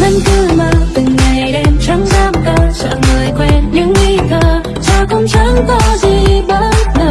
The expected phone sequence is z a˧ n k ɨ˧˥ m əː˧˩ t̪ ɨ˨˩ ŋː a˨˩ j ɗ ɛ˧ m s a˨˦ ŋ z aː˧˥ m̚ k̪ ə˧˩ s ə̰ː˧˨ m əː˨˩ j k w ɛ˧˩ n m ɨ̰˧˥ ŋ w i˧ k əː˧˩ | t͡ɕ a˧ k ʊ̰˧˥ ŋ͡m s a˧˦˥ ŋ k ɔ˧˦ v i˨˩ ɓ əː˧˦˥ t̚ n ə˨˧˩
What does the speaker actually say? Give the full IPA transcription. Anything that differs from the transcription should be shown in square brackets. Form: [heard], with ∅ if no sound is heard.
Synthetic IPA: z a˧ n k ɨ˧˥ m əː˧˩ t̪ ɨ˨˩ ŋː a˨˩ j ɗ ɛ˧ m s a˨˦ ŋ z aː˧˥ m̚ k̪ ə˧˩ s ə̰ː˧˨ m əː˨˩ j k w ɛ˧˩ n [ɲ] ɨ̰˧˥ ŋ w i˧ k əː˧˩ | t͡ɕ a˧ k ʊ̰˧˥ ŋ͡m s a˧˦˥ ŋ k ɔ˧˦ [z] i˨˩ ɓ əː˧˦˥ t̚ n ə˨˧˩